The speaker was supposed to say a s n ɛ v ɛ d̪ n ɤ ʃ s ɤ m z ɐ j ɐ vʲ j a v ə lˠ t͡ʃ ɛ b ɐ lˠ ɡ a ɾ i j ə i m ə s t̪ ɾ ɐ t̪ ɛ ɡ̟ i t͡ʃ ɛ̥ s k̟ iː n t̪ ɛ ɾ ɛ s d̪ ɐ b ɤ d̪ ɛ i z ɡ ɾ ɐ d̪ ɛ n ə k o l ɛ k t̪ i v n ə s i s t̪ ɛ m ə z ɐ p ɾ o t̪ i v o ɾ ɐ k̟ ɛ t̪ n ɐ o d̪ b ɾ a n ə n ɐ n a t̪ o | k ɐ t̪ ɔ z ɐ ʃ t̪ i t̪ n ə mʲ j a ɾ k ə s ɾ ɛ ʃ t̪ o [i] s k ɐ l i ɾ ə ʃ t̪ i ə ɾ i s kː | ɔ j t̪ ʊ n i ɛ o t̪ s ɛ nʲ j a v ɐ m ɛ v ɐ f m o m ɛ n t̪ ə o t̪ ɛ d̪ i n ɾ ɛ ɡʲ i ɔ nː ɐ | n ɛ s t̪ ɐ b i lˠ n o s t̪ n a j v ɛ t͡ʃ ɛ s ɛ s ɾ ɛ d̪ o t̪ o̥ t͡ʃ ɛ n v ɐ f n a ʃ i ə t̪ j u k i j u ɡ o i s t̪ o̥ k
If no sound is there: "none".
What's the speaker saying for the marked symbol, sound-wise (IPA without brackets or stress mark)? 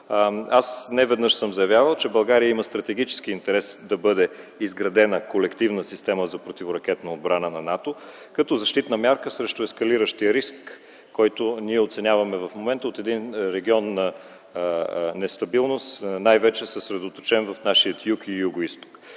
ɛ